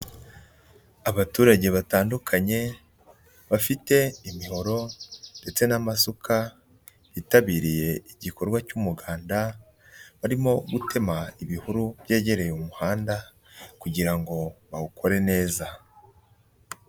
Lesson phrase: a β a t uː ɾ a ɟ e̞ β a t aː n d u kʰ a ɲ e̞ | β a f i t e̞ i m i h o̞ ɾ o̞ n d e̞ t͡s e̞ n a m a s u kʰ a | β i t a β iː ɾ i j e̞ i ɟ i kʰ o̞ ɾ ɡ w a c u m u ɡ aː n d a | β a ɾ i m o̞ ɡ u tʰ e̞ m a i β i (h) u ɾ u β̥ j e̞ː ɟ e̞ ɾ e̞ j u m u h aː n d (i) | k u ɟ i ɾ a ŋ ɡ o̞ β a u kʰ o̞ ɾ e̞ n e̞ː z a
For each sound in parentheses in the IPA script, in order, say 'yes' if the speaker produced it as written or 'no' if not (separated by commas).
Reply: yes, no